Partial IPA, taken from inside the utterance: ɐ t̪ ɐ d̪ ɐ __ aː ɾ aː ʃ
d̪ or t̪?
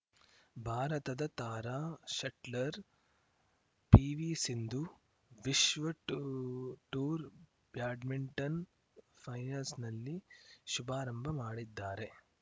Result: t̪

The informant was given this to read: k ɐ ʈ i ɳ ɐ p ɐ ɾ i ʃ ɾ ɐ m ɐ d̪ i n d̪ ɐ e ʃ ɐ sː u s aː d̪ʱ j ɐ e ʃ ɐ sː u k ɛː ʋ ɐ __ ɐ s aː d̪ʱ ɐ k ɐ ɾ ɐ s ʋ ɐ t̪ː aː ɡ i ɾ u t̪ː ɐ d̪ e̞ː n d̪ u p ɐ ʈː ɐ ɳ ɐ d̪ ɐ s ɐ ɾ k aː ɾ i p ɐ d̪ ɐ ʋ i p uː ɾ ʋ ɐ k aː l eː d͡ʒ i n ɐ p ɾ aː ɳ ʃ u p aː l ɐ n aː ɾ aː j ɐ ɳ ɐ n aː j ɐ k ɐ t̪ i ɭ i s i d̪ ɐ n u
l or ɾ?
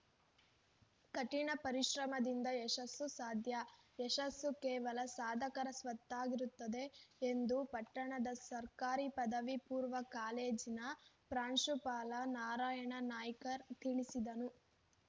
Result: l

